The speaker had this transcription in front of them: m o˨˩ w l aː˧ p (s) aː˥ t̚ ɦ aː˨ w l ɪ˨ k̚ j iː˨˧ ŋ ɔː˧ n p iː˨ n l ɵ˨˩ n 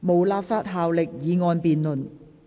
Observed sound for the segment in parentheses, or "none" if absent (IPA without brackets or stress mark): f